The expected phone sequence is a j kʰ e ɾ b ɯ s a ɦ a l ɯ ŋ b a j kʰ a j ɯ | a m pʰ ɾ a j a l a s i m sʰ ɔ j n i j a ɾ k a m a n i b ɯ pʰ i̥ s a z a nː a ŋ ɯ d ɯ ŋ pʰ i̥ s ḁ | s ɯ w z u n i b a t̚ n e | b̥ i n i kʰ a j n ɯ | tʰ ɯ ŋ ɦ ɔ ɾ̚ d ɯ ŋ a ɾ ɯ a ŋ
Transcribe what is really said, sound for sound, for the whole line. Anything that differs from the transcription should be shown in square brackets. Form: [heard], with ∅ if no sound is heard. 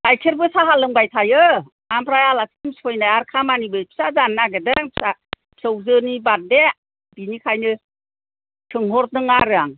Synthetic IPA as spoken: a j kʰ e ɾ b ɯ s a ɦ a l ɯ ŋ b a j [tʰ] a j ɯ | a m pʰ ɾ a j a l a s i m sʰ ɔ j n [a] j a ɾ [kʰ] a m a n i b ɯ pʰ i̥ s a z a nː a [ɡ] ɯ d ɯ ŋ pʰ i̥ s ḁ | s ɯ w z [ɯ] n i b a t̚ [d] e | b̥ i n i kʰ a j n ɯ | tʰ ɯ ŋ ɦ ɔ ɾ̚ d ɯ ŋ a ɾ ɯ a ŋ